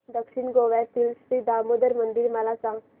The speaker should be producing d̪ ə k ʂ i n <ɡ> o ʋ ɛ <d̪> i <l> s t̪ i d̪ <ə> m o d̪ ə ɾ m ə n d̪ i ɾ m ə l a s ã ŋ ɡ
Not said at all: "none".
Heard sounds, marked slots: ɡ, t̪, l, a

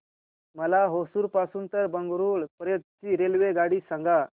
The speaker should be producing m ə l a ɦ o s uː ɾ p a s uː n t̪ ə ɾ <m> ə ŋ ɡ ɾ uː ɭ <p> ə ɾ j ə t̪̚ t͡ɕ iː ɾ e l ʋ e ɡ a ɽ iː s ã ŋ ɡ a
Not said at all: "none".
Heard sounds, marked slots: b, p

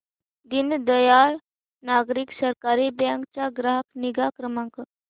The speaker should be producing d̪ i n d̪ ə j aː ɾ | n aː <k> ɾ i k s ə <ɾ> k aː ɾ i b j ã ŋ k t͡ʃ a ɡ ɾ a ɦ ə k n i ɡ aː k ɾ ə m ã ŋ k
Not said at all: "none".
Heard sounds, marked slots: ɡ, ɾ

